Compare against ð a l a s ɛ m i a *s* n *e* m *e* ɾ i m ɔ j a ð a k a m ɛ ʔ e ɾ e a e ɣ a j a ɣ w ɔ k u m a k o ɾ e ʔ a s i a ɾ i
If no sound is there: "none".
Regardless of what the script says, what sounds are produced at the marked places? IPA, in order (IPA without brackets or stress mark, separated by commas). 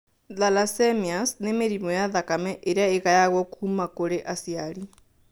s, e, e